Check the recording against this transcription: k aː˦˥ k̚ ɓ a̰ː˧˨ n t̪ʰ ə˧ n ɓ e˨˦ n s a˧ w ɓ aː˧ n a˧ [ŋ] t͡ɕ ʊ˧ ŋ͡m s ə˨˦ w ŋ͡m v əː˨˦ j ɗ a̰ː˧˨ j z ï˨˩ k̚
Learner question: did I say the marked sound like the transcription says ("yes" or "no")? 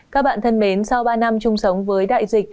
no